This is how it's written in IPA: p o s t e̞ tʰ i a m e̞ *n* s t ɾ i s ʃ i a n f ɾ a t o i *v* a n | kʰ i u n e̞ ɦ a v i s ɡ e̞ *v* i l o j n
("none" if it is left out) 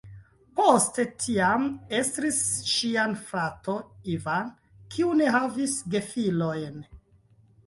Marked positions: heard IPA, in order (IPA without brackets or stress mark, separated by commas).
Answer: none, v, f